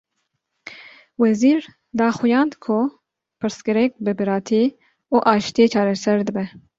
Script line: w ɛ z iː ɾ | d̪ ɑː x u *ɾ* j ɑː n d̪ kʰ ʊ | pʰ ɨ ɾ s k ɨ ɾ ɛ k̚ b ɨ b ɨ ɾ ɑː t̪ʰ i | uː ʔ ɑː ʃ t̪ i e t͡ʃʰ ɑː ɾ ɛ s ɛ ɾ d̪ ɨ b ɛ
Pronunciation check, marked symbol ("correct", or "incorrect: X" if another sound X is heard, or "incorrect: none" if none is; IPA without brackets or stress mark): incorrect: none